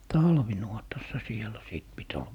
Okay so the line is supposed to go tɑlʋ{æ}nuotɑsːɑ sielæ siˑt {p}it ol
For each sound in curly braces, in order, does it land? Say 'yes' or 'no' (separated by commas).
no, yes